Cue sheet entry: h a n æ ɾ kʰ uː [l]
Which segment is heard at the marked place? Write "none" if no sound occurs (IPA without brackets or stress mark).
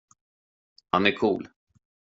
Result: l